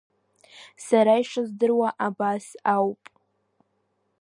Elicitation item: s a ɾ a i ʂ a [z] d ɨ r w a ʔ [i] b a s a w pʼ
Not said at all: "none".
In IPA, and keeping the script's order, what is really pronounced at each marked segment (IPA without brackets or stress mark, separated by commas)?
z, a